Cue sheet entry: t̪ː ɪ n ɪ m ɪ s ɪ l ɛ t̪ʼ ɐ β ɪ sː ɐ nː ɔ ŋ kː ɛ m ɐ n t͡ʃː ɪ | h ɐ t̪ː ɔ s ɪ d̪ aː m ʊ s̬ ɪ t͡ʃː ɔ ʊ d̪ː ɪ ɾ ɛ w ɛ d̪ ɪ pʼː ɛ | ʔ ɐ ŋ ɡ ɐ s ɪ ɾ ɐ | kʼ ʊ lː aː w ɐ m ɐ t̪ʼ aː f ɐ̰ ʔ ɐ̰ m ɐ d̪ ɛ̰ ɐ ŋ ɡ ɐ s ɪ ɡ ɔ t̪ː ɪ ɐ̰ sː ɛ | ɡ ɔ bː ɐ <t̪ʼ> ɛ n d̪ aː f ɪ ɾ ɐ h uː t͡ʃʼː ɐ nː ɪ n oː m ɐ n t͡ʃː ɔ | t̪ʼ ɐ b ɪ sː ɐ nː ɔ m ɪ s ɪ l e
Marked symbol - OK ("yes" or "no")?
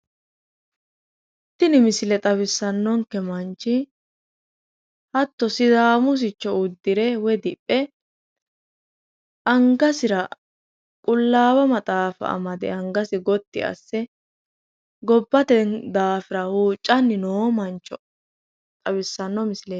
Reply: no